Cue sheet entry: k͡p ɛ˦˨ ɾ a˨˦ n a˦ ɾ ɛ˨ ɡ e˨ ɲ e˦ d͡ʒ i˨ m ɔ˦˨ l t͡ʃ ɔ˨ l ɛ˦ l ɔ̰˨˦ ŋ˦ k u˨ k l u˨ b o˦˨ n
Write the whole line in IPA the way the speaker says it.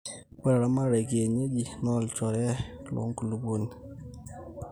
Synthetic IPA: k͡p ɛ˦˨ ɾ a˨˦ m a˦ ɾ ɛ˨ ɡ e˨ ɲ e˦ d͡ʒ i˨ n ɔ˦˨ l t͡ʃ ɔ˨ ɾ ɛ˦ l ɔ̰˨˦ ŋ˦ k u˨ l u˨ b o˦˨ n